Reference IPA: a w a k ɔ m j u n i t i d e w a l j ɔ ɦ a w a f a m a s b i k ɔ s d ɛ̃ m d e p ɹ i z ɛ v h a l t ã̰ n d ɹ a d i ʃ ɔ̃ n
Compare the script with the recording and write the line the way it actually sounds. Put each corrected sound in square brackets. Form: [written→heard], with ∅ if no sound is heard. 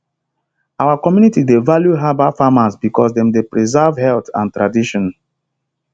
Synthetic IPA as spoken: a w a k ɔ m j u n i t i d e [w→v] a l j [ɔ→u] ɦ a [w→b] a f a m a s b i k ɔ s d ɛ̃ m d e p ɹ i z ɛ v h [a→ɛ] l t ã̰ n [d→t] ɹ a d i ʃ ɔ̃ n